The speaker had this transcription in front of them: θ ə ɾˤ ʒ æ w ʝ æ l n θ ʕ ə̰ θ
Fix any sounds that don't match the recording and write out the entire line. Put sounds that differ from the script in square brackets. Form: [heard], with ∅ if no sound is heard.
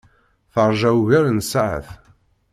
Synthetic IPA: θ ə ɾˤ ʒ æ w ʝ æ [ɾ] n [s] ʕ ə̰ θ